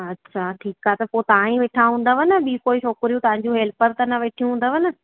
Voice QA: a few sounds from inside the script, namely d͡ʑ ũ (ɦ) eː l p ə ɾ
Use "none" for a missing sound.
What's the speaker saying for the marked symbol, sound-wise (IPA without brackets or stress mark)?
ɦ